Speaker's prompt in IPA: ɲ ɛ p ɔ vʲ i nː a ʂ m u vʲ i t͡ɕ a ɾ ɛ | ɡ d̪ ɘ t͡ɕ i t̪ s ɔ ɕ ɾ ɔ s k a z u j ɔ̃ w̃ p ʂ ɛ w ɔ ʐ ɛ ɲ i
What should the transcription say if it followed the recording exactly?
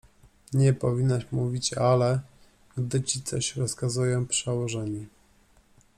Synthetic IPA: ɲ ɛ p ɔ vʲ i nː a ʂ m u vʲ i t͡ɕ a l ɛ | ɡ d̪ ɘ t͡ɕ i t̪ s ɔ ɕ ɾ ɔ s k a z u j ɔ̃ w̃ p ʂ ɛ w ɔ ʐ ɛ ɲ i

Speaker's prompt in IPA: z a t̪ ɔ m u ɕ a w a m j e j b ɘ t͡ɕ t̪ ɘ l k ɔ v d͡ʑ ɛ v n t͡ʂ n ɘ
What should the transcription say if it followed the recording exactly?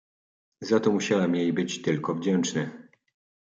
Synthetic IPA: z a t̪ ɔ m u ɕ a w ɛ m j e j b ɘ t͡ɕ t̪ ɘ l k ɔ v d͡ʑ ɛ n t͡ʂ n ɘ

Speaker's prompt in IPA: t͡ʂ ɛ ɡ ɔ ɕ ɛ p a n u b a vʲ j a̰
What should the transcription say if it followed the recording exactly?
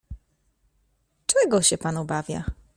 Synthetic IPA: t͡ʂ ɛ ɡ ɔ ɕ ɛ p a n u b a vʲ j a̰

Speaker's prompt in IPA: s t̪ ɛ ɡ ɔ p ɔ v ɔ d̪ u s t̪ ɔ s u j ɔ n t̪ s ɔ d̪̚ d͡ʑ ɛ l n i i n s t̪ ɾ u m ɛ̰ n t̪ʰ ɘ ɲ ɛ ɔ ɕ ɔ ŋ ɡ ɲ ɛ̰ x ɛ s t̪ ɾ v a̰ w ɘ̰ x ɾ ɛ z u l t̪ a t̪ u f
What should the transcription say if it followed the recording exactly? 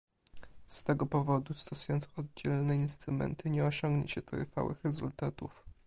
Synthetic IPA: s t̪ ɛ ɡ ɔ p ɔ v ɔ d̪ u s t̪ ɔ s u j ɔ n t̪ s ɔ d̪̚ d͡ʑ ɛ l n ɛ i n s t̪ ɾ u m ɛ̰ n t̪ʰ ɘ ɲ ɛ ɔ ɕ ɔ ŋ ɡ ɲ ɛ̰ ɕ ɛ t̪ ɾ f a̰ w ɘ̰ x ɾ ɛ z u l t̪ a t̪ u f

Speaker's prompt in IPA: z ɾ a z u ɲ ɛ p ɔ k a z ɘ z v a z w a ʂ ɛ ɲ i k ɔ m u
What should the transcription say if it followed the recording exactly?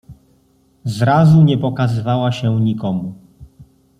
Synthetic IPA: z ɾ a z u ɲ ɛ p ɔ k a z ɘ v a w a ɕ ɛ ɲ i k ɔ m u

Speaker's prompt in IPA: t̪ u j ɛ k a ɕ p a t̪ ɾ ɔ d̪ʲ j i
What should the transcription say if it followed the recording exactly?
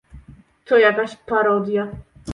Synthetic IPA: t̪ ɔ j a k a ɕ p a ɾ ɔ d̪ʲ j a

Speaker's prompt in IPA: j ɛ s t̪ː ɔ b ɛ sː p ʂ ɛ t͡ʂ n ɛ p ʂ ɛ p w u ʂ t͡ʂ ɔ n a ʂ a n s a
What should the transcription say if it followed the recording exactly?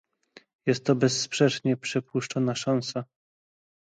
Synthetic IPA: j ɛ s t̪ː ɔ b ɛ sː p ʂ ɛ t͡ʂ ɲ ɛ p ʂ ɛ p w u ʂ t͡ʂ ɔ n a ʂ a n s a

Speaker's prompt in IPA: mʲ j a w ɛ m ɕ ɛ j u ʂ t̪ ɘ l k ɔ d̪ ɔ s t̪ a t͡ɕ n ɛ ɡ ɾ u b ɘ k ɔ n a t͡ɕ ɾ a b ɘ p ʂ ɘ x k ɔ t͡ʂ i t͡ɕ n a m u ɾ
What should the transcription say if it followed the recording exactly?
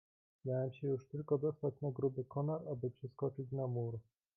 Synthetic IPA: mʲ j a w ɛ m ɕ ɛ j u ʂ t̪ ɘ l k ɔ d̪ ɔ s t̪ a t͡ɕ n a ɡ ɾ u b ɘ k ɔ n a ɾ a b ɘ p ʂ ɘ s k ɔ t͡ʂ i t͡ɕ n a m u ɾ

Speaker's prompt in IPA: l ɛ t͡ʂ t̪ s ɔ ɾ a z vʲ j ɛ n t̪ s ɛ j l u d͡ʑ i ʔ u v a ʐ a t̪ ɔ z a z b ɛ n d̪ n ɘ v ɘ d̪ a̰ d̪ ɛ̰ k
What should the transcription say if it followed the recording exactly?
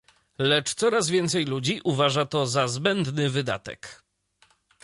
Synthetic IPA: l ɛ t͡ʂ t̪ s ɔ ɾ a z vʲ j ɛ n t̪ s ɛ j l u d͡ʑ i ʔ u v a ʐ a t̪ ɔ z a z b ɛ n d̪ n ɘ v ɘ d̪ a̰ t̪ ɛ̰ k

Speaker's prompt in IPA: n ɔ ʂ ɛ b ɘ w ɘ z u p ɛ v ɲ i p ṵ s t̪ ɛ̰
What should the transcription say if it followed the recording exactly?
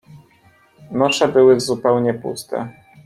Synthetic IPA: n ɔ ʂ ɛ b ɘ w ɘ z u p ɛ w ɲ ɛ p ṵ s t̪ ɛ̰

